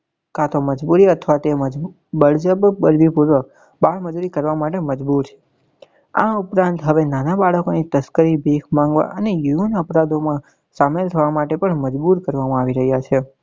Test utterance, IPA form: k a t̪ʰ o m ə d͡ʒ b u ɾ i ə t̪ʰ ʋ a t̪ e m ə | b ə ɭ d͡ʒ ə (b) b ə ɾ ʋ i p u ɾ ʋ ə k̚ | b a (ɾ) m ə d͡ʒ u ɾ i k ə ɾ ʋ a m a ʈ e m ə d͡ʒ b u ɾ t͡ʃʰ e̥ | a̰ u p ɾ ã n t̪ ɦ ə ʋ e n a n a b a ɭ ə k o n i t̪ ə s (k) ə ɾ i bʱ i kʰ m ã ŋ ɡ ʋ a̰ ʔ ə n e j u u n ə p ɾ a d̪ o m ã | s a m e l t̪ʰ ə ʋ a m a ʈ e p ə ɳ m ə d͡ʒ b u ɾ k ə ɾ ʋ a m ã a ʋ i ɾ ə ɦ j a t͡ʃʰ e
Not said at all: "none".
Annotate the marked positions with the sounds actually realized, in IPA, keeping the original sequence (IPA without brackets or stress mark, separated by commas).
b, ɭ, k